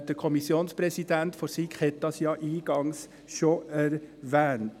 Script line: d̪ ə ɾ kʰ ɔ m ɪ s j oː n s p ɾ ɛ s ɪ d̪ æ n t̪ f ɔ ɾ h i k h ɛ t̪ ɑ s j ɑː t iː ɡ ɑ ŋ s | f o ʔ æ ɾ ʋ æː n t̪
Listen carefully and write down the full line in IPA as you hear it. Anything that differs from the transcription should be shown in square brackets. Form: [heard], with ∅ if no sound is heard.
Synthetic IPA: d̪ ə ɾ kʰ ɔ m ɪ s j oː n s p ɾ ɛ s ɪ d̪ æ n t̪ f ɔ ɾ [s] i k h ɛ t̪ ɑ s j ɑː [ʔ] iː ɡ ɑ ŋ s | [ʃ] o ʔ æ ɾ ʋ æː n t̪